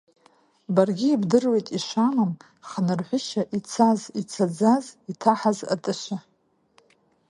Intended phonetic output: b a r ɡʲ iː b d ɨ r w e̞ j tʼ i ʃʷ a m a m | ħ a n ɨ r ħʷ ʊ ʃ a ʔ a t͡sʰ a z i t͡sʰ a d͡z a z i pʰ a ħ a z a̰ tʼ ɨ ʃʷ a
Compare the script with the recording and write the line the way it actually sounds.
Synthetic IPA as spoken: b a r ɡʲ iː b d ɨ r w e̞ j tʼ i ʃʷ a m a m | χ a n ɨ r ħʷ ʊ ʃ a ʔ i t͡sʰ a z i t͡sʰ a d͡z a z i tʰ a ħ a z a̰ tʼ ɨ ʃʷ a